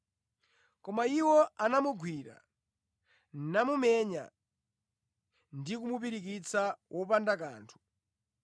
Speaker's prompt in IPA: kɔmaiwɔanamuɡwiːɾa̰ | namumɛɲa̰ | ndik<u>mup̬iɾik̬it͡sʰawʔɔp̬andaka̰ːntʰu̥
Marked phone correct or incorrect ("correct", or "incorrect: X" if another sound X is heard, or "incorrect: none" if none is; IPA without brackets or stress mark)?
correct